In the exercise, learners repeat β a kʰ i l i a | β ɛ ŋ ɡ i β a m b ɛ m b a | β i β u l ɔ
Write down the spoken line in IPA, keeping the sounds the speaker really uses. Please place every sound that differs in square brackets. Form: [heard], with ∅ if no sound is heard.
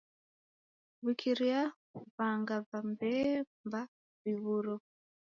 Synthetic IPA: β [i] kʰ i [ɾ] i a | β [a] ŋ ɡ [a] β a m b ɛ m b a | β i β u [ɾ] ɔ

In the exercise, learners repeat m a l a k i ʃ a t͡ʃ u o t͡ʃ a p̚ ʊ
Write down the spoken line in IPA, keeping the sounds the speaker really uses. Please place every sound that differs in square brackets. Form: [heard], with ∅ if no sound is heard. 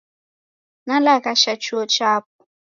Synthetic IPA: [n] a l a k [a] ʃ a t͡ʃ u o t͡ʃ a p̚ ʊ

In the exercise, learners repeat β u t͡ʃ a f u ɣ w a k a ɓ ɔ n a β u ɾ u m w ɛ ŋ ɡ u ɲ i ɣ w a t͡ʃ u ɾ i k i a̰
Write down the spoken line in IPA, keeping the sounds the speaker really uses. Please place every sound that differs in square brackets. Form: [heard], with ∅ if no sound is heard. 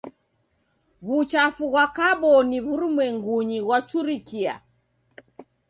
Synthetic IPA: β u t͡ʃ a f u ɣ w a k a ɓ ɔ n [i] β u ɾ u m w ɛ ŋ ɡ u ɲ i ɣ w a t͡ʃ u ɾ i k i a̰

